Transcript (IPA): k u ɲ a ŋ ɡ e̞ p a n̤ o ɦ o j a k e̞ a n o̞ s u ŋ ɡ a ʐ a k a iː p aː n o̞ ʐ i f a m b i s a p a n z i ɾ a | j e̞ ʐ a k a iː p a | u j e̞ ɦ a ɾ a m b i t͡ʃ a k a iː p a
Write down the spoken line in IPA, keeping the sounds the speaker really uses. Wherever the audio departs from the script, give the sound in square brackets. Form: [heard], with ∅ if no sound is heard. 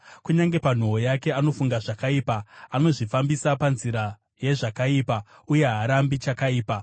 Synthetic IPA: k u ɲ a ŋ ɡ e̞ p a n̤ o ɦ o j a k e̞ a n o̞ [f] u ŋ ɡ a ʐ a k a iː p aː n o̞ ʐ i f a m b i s a p a n z i ɾ a | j e̞ ʐ a k a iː p a | u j e̞ ɦ a ɾ a m b i t͡ʃ a k a iː p a